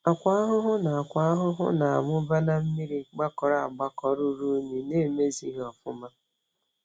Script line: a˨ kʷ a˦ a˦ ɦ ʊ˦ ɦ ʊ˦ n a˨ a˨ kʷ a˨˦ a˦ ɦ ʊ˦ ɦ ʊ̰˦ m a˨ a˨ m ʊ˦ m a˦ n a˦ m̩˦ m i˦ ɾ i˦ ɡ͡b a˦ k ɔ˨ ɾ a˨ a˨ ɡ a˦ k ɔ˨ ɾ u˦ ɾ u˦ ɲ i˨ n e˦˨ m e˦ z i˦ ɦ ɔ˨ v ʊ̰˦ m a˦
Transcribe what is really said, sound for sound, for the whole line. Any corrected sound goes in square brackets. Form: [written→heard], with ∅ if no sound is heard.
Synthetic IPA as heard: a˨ kʷ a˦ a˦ ɦ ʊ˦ ɦ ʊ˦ n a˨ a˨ kʷ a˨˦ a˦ ɦ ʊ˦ ɦ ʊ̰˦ [m→n] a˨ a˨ m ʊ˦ [m→b] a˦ n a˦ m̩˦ m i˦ ɾ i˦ ɡ͡b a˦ k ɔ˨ ɾ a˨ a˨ [ɡ→ɡ͡b] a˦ k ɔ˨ ɾ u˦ ɾ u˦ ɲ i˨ n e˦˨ m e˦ z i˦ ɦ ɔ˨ [v→f] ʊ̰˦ m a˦